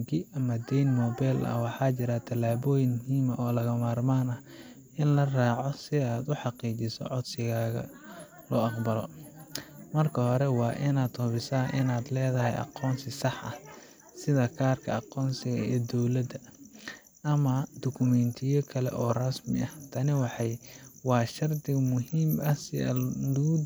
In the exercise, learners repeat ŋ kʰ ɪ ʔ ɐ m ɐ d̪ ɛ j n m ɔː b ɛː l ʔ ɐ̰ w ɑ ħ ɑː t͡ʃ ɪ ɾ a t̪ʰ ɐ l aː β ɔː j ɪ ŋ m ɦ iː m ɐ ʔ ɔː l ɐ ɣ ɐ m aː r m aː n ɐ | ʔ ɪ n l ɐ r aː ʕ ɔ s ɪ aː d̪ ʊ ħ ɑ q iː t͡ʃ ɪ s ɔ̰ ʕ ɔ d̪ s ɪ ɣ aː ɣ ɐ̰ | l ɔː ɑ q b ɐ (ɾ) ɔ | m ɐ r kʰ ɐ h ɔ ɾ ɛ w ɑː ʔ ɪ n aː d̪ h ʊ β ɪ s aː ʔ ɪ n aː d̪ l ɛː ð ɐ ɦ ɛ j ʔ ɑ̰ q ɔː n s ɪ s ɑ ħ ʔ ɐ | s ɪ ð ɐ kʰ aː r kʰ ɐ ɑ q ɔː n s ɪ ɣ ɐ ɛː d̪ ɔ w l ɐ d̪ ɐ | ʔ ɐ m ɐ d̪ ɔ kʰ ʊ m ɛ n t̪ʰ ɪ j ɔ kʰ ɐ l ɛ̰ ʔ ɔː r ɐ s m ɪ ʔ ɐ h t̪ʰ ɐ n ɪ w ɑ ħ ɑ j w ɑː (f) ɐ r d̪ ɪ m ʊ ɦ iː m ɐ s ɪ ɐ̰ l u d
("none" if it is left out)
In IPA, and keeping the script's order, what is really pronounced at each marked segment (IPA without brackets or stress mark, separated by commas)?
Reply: l, ʃ